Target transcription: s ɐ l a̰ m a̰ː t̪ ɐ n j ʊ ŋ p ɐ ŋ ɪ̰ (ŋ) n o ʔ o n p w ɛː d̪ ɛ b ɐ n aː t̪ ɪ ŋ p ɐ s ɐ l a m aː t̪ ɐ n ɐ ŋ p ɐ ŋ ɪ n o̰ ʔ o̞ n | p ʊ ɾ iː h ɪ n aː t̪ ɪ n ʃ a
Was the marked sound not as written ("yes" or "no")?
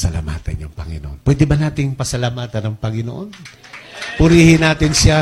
yes